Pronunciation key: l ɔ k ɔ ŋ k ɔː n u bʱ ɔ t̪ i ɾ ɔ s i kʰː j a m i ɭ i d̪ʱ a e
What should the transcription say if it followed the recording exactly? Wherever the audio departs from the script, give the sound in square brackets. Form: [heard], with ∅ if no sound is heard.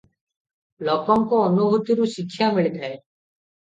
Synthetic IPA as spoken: l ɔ k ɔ ŋ k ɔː n u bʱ [u] t̪ i ɾ [u] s i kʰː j a m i ɭ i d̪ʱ a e